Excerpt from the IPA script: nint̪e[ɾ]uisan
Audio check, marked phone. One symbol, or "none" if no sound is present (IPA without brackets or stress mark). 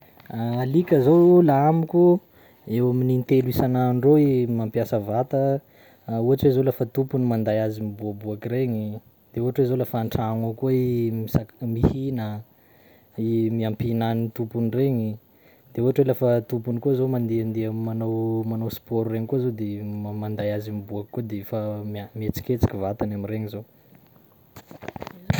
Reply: l